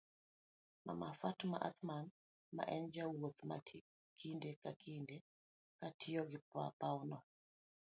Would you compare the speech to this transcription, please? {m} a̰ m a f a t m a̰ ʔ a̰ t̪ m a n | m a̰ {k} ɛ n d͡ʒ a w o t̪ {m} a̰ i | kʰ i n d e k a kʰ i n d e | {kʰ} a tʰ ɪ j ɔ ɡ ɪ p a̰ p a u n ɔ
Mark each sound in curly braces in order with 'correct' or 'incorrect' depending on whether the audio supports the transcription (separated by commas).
correct, incorrect, correct, incorrect